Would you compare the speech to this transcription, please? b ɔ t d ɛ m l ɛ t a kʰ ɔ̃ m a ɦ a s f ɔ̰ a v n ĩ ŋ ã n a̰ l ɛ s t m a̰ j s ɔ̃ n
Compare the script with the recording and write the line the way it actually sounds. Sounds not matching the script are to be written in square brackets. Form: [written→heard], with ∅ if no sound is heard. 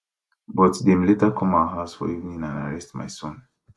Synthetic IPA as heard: b ɔ t d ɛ m l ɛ t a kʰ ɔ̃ m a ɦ a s f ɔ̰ [a→i] v n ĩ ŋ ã n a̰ [l→ɹ] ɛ s t m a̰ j s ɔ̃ n